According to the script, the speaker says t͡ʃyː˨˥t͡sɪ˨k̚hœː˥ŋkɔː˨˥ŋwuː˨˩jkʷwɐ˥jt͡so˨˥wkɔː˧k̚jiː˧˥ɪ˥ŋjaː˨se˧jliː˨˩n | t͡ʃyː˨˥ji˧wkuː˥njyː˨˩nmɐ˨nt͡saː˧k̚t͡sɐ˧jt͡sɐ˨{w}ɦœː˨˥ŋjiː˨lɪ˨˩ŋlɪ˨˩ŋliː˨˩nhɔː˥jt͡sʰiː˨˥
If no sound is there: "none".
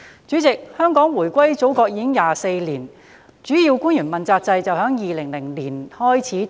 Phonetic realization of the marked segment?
w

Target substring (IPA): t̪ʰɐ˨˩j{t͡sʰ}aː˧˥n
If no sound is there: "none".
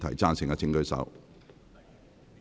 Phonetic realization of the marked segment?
t͡s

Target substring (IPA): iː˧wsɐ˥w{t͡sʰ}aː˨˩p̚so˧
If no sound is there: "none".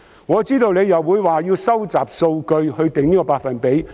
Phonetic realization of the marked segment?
t͡s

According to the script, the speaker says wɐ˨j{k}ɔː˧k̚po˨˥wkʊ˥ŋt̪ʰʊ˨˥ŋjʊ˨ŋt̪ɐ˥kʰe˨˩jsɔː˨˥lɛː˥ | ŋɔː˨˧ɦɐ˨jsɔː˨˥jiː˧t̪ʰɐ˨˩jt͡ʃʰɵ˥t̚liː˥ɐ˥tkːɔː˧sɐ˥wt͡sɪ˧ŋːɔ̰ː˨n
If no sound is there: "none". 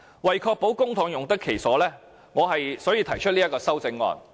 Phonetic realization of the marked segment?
kʰ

